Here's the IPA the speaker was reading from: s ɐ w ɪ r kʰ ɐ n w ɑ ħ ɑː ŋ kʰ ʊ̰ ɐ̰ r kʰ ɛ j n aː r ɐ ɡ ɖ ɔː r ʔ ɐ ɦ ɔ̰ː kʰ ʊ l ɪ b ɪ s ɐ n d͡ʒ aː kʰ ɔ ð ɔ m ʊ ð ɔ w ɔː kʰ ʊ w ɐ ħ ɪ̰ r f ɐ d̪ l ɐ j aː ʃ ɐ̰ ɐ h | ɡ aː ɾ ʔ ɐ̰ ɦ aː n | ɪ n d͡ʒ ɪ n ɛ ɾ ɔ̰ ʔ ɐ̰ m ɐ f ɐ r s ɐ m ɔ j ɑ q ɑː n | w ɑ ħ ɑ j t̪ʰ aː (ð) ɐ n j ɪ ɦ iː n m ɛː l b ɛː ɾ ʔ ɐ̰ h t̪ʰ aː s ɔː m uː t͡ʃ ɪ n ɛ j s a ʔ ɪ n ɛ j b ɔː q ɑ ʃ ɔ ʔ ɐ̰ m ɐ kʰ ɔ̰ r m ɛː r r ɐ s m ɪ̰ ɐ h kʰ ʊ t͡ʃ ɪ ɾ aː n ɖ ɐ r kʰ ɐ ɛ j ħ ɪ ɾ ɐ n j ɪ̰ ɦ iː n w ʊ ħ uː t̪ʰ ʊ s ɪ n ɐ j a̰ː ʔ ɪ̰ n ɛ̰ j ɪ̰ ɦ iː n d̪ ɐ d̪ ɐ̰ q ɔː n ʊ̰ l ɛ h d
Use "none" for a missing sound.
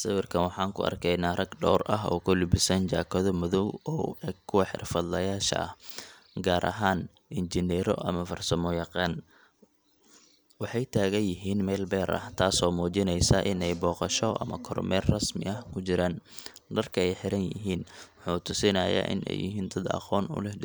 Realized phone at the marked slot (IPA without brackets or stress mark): ɣ